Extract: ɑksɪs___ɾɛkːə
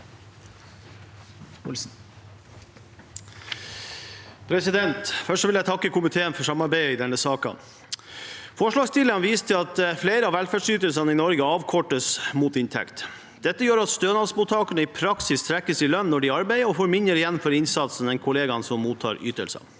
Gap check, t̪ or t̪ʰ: t̪ʰ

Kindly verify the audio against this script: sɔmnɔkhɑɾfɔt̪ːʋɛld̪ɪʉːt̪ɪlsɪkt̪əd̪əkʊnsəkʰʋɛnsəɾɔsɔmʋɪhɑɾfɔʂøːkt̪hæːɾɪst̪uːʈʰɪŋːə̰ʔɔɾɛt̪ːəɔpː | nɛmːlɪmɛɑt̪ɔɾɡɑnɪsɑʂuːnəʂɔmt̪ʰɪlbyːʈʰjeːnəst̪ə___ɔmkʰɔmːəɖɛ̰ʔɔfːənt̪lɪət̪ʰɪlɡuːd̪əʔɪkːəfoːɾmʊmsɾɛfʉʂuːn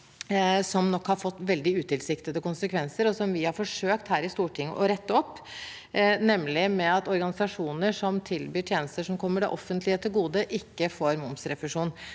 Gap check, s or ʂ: ʂ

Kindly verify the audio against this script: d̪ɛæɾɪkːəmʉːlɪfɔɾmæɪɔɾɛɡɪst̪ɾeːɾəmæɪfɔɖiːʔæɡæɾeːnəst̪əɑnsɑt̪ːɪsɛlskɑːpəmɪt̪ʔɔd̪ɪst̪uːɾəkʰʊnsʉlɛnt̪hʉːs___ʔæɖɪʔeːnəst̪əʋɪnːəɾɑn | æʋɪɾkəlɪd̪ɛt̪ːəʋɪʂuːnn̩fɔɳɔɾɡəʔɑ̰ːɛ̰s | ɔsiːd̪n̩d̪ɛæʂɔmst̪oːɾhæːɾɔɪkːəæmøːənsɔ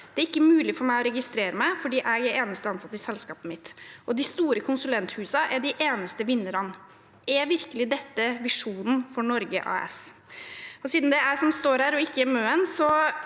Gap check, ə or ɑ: ɑ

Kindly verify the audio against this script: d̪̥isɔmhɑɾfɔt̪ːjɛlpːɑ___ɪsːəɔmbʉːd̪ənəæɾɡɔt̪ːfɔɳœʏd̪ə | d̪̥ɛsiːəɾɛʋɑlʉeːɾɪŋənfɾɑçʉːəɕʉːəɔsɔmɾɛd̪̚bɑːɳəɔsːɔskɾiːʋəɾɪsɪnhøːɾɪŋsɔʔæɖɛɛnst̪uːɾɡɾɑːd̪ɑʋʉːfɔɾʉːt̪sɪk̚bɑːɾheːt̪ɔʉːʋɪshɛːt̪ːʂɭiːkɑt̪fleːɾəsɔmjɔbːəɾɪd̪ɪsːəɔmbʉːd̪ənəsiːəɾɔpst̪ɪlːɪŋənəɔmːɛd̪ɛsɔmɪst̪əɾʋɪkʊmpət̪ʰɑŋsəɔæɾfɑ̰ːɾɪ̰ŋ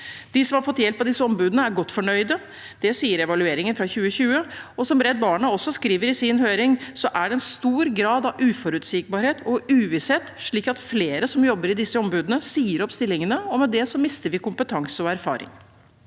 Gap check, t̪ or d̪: d̪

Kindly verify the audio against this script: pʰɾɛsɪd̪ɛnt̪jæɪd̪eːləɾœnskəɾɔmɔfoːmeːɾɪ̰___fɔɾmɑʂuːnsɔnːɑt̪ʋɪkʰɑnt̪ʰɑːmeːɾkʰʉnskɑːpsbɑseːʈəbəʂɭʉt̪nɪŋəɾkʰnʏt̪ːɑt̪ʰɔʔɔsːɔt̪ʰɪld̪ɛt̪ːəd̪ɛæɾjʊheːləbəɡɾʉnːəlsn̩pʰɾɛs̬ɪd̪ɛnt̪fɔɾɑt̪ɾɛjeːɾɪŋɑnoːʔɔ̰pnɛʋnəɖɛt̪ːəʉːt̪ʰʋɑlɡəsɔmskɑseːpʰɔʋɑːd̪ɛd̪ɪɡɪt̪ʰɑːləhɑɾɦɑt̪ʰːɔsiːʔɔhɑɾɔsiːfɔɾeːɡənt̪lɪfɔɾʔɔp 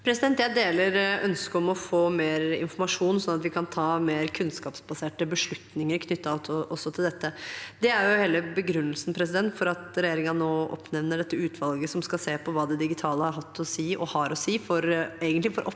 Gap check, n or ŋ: n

